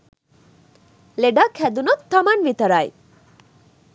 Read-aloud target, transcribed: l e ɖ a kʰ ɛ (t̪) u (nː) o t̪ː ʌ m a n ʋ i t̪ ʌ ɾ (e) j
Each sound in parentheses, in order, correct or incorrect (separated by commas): incorrect, incorrect, incorrect